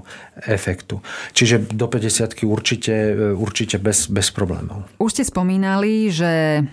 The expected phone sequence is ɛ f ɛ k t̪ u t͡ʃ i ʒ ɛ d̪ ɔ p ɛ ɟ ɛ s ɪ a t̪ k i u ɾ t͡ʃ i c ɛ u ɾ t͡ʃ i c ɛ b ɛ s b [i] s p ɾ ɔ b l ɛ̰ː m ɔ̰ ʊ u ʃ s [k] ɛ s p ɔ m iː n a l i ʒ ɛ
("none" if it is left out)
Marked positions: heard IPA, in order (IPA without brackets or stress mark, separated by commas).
ɛ, c